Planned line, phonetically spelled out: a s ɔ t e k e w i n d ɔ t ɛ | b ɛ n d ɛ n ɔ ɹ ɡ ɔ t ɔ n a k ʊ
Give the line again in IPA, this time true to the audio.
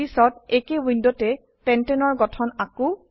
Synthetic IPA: i s ɔ t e k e w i n d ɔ t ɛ | p ɛ n t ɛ n ɔ ɹ ɡ ɔ tʰ ɔ n a k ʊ